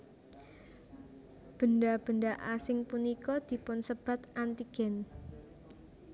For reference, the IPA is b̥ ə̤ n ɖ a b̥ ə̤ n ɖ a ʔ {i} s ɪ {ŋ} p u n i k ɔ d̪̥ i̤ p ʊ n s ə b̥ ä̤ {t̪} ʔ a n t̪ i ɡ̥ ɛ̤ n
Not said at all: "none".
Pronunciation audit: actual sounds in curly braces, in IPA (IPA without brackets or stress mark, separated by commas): a, ŋ, t̪